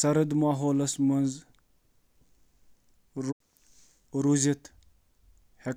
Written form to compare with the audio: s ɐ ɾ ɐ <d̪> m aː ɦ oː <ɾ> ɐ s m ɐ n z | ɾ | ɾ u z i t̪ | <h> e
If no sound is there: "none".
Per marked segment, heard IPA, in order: d̪, l, h

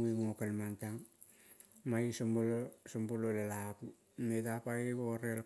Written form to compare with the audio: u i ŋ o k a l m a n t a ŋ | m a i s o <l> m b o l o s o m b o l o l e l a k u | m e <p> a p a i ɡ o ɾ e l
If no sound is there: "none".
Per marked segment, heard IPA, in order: none, t

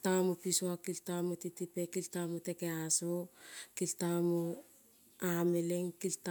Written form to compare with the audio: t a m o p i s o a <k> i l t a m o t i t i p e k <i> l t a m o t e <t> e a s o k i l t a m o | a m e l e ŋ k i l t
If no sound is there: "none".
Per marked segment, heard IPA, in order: k, i, k

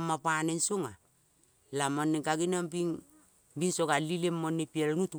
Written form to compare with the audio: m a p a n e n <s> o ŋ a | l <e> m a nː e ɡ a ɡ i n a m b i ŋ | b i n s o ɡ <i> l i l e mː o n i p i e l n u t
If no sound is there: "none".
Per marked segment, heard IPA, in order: s, a, a

